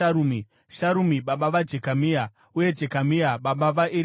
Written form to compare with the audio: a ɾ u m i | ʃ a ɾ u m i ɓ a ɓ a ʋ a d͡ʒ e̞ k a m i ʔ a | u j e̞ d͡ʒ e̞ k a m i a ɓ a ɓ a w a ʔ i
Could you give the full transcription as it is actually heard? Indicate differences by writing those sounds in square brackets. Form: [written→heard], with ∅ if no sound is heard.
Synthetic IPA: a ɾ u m i | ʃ a ɾ u m i ɓ a ɓ a ʋ a d͡ʒ e̞ k a m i [ʔ→∅] a | u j e̞ d͡ʒ e̞ k a m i a ɓ a ɓ a [w→ʋ] a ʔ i